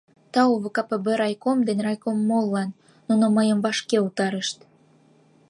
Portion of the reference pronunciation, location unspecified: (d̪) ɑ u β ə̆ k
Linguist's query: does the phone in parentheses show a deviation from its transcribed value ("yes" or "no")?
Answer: yes